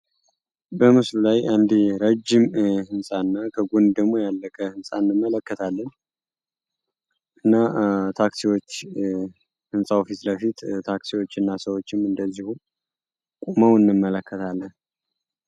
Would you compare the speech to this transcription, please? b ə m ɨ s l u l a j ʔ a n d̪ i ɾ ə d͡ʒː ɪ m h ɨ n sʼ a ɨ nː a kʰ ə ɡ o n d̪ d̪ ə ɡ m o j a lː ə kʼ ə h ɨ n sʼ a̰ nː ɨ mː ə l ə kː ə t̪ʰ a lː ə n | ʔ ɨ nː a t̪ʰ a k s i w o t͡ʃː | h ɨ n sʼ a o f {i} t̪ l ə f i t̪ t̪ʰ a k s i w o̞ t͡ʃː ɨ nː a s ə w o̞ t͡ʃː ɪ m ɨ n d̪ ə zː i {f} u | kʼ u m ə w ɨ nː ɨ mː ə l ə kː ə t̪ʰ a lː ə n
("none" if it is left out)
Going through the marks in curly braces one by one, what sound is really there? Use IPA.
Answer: i, h

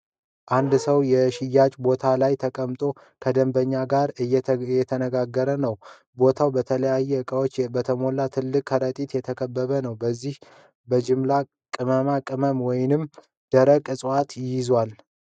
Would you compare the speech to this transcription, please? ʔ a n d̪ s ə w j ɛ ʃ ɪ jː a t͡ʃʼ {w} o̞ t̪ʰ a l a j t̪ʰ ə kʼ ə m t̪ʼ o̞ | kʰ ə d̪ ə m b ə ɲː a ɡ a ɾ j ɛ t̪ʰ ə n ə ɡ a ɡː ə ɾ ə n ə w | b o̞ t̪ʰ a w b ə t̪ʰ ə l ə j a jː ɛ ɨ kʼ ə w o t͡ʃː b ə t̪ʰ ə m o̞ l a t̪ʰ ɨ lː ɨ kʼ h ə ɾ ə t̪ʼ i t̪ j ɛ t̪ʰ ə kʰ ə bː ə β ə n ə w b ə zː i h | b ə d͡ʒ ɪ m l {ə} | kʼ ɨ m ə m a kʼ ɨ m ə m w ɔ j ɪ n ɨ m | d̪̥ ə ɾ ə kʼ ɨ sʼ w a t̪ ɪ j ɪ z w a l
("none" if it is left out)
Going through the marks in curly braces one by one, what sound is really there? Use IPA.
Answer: b, a

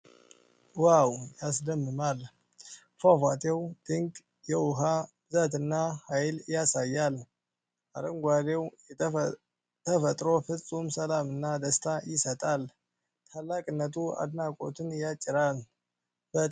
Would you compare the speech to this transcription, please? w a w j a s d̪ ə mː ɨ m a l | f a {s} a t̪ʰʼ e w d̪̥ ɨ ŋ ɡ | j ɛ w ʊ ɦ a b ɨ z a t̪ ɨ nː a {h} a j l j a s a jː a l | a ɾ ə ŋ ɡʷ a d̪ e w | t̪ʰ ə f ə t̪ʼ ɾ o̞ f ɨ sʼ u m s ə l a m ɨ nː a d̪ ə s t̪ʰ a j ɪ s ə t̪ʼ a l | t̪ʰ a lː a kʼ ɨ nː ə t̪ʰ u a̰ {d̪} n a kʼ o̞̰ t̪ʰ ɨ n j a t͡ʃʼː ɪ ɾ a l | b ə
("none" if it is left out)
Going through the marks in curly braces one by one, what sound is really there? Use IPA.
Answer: f, h, d̪

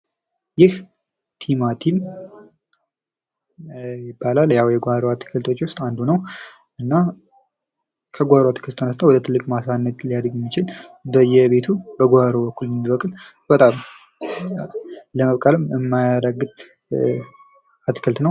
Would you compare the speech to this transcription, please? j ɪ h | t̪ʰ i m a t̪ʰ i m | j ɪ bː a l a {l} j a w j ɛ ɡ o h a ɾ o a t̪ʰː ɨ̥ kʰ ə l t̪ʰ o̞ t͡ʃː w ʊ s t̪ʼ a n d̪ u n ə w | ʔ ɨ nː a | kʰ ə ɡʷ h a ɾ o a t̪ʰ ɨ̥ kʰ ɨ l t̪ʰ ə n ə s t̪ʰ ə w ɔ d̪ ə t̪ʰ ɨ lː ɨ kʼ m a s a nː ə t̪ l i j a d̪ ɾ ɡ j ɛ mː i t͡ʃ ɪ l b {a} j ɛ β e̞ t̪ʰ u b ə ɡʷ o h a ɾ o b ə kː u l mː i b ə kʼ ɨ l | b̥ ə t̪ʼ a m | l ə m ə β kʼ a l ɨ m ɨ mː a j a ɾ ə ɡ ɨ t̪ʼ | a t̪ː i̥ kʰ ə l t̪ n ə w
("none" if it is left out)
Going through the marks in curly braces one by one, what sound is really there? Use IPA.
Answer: l, ə

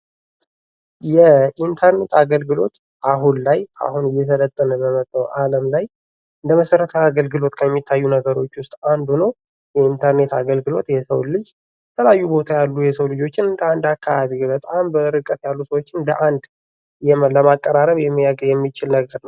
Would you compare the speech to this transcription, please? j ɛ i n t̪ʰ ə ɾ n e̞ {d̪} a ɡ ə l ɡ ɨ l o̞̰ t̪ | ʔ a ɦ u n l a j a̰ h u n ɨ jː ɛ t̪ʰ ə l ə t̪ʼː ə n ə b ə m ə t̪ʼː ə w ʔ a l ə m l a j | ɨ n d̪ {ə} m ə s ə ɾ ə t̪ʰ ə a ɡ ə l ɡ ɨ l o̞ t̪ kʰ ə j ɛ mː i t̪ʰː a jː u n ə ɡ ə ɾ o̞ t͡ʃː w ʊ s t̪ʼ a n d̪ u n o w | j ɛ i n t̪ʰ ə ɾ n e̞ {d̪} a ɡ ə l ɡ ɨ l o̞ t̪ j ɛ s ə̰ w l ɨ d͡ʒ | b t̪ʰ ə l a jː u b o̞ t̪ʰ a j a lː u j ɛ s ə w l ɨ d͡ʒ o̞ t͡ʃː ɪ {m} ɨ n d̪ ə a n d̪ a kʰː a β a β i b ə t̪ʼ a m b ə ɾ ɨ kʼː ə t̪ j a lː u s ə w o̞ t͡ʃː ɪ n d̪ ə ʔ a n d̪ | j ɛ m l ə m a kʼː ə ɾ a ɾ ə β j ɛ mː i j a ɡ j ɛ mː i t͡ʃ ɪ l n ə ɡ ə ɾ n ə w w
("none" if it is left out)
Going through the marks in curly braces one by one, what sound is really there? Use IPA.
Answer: t̪, ə, t̪, n

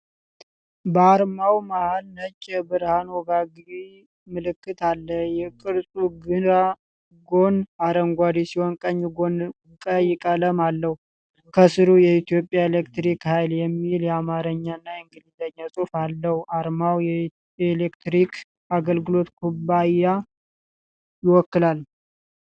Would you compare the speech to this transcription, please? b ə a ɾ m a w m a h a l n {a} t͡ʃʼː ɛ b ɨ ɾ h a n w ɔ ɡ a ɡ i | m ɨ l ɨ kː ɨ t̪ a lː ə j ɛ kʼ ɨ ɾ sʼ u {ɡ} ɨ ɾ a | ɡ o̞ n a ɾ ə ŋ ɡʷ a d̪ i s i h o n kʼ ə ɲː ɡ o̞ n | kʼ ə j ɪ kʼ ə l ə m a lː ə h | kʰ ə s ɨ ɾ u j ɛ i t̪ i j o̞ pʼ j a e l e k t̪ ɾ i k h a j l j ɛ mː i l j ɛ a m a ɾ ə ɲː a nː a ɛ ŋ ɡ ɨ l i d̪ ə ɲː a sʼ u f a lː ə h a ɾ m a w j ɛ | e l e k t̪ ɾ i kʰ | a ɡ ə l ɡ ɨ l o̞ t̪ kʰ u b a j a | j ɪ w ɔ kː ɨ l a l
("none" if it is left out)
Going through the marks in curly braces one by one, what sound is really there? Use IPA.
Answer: ə, ɡ

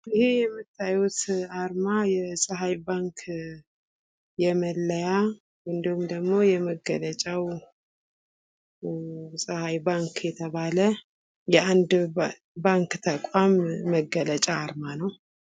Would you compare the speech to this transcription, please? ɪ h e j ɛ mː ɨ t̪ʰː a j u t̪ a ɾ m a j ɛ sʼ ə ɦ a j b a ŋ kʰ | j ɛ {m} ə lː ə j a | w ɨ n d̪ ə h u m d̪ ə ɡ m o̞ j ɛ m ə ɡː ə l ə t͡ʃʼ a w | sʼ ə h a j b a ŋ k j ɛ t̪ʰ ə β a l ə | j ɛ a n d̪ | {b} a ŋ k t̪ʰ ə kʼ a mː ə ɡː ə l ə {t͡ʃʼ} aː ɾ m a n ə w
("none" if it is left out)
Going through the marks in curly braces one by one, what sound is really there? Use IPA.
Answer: m, b, t͡ʃʼ

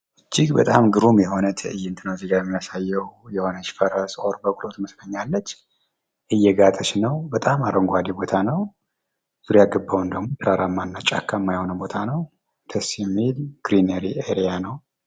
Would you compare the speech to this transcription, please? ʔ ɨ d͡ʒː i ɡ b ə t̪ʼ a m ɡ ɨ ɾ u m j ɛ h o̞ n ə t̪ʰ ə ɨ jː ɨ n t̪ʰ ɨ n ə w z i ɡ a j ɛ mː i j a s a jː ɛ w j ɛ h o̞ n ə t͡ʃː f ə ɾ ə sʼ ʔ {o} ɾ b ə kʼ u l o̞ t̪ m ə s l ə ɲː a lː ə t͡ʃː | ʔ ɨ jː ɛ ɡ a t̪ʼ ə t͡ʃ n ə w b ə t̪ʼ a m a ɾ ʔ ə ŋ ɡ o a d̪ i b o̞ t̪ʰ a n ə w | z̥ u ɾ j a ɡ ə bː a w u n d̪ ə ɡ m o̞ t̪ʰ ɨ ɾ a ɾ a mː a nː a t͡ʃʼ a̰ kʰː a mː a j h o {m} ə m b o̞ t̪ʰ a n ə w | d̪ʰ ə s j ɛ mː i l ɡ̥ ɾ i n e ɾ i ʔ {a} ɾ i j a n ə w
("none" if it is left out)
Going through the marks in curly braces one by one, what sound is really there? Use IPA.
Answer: o, n, e

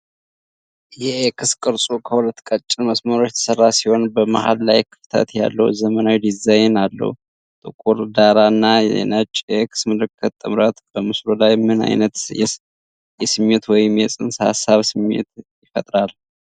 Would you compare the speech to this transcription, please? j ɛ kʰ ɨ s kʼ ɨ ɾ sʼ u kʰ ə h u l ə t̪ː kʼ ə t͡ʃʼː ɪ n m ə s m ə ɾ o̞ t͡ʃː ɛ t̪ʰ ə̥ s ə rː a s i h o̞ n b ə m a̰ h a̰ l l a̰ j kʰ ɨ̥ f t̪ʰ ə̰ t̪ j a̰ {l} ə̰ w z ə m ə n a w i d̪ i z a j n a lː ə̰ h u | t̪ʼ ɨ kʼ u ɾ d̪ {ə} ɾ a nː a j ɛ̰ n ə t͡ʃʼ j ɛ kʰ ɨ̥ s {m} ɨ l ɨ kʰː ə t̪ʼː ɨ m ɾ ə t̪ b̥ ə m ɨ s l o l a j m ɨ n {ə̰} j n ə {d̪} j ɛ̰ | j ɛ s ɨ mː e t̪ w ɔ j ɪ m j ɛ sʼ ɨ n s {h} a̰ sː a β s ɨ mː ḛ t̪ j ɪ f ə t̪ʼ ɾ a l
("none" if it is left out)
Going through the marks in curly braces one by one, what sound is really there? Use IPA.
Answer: lː, a, m, a̰, t̪, h

